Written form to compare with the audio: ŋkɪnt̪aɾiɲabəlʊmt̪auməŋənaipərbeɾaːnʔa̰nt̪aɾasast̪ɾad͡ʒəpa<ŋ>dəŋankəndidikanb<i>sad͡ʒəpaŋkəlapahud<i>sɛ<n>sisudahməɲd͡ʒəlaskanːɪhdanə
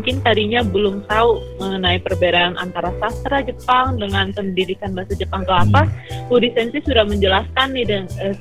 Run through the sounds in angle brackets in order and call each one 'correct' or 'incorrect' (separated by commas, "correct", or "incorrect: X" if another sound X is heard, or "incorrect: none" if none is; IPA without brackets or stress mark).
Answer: correct, incorrect: a, correct, correct